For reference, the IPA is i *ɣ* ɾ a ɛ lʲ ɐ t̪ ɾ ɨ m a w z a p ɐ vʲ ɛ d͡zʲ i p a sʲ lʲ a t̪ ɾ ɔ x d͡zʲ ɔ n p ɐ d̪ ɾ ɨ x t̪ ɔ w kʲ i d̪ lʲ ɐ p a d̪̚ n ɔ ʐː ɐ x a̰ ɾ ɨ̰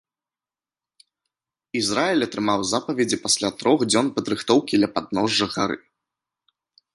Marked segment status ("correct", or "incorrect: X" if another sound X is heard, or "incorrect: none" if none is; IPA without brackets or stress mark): incorrect: z